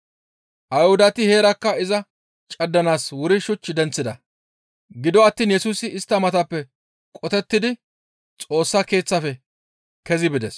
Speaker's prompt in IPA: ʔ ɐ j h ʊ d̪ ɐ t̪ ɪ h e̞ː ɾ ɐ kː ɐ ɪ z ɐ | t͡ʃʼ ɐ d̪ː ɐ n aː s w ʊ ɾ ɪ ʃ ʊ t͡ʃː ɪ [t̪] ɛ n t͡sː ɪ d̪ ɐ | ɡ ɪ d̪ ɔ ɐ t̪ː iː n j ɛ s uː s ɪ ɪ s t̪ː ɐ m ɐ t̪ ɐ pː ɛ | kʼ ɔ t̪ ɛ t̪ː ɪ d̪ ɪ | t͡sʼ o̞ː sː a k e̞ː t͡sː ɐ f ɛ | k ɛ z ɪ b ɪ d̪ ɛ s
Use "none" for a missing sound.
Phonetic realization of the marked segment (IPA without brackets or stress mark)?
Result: d̪